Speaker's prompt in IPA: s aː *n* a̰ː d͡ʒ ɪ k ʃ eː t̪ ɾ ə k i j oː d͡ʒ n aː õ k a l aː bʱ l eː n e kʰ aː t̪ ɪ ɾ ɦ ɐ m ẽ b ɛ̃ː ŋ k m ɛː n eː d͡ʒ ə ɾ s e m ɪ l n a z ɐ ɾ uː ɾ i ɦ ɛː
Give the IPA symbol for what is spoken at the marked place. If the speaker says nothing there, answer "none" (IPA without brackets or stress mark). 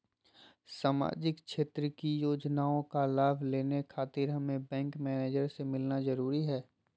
m